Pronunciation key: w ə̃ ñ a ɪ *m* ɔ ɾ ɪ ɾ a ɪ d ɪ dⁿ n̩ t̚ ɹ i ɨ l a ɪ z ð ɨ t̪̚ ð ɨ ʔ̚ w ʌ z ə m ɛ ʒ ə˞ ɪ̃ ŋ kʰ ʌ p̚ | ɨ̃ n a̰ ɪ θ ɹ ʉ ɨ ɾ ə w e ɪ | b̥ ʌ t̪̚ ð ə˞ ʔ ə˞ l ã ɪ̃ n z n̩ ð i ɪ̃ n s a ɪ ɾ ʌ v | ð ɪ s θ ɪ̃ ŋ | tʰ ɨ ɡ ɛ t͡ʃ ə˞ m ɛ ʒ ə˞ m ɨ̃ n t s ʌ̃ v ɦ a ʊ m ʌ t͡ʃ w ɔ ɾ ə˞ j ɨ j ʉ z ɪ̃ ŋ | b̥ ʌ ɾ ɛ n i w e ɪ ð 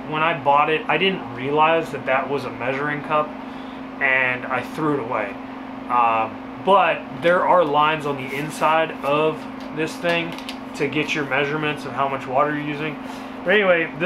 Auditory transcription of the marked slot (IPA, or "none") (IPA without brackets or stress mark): b